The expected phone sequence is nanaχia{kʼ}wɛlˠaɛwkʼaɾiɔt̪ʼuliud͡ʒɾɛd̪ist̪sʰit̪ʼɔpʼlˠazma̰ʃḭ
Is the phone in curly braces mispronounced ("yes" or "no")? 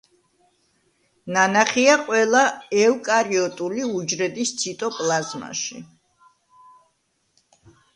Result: yes